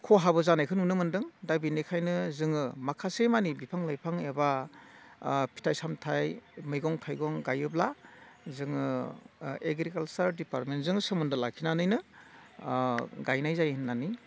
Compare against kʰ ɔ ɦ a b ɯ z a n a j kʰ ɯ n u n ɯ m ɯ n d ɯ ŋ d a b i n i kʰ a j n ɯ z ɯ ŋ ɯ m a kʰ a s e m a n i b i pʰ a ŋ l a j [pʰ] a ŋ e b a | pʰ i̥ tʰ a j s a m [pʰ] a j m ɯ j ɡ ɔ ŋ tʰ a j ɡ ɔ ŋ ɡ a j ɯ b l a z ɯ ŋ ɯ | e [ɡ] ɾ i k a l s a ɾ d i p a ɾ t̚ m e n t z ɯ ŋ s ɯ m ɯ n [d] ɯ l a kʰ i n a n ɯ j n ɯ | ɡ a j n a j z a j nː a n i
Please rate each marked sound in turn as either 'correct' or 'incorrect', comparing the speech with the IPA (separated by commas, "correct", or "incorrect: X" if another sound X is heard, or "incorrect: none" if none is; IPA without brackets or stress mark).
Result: correct, incorrect: tʰ, correct, correct